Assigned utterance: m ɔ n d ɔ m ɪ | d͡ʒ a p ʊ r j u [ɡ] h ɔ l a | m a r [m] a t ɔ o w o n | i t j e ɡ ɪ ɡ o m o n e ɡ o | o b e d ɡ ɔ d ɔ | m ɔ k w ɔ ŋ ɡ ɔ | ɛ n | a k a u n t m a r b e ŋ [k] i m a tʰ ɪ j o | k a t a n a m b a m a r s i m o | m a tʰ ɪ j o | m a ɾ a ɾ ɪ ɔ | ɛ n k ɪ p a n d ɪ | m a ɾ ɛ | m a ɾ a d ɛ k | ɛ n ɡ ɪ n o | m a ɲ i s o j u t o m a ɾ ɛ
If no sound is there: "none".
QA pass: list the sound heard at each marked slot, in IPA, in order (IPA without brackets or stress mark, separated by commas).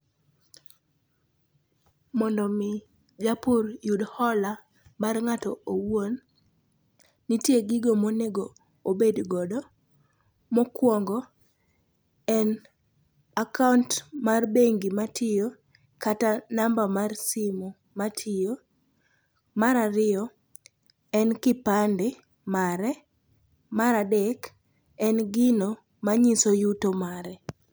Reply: d, ŋ, ɡ